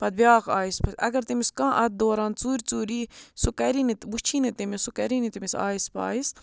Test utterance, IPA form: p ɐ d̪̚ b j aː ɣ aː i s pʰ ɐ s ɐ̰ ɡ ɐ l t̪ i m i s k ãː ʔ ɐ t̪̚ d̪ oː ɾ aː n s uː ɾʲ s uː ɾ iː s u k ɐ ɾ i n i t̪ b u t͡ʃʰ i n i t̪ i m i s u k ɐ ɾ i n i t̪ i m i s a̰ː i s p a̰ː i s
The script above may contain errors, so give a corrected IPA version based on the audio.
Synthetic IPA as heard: p ɐ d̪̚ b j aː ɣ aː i s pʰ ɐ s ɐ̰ ɡ ɐ ɾ t̪ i m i s k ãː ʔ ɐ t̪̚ d̪ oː ɾ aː n t͡s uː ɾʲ t͡s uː ɾ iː s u k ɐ ɾ i n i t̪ b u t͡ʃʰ i n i t̪ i m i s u k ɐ ɾ i n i t̪ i m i s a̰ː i s p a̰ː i s